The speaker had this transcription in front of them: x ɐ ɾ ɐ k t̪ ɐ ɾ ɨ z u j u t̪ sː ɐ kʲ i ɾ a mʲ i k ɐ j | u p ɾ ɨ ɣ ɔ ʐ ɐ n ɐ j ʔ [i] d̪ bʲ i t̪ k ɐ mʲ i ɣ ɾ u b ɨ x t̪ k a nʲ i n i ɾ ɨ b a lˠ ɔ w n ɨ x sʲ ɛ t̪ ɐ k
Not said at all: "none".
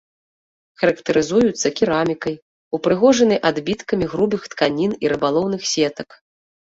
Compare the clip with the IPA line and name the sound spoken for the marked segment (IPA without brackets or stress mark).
a